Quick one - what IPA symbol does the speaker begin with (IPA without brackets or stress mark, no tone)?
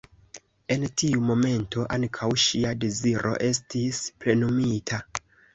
e̞